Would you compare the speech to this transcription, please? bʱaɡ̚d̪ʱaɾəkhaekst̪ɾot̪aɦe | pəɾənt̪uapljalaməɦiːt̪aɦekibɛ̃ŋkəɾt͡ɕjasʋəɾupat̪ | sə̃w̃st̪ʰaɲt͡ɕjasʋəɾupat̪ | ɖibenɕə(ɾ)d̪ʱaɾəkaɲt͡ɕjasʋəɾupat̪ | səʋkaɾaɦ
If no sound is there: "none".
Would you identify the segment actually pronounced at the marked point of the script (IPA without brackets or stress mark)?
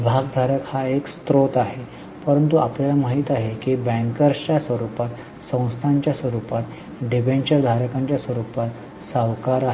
ɾ